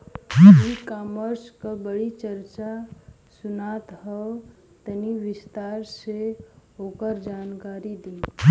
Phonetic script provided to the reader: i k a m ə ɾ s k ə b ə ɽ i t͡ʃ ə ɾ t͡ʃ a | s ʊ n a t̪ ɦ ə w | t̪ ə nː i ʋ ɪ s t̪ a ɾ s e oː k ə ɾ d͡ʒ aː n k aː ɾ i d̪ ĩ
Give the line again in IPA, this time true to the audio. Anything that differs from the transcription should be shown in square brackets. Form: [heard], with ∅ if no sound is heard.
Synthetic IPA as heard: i k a m ə ɾ s k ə b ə ɽ i t͡ʃ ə ɾ t͡ʃ a | s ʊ n a t̪ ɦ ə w | t̪ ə [n] i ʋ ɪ s t̪ a ɾ s e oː k ə ɾ d͡ʒ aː n k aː ɾ i d̪ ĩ